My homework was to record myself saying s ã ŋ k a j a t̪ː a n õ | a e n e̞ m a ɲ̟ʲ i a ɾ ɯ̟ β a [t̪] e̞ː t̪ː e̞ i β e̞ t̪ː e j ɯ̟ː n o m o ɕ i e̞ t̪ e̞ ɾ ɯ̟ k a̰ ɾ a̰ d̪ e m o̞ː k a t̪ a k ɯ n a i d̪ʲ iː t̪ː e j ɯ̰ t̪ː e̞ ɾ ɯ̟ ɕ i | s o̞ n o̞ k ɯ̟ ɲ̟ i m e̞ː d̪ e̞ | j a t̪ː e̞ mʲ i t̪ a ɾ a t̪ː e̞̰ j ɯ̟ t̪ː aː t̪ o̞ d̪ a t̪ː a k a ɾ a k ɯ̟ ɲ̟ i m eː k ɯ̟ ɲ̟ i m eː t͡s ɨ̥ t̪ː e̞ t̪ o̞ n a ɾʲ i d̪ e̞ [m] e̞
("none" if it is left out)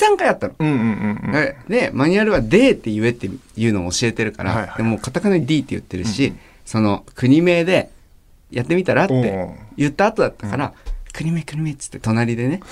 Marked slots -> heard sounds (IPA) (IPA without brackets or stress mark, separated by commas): d̪, n